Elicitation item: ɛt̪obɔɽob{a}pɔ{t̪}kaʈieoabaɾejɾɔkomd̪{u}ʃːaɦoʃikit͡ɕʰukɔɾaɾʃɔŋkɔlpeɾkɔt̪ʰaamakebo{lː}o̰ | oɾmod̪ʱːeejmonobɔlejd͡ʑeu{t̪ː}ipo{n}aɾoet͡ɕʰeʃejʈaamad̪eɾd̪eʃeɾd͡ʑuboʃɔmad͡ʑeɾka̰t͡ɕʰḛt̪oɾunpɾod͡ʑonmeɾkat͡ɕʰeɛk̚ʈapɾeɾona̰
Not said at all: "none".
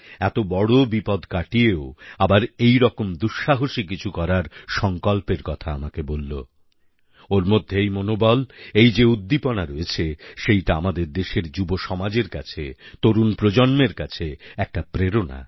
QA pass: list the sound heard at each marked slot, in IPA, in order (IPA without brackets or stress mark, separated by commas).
i, d̪, u, lː, d̪ː, n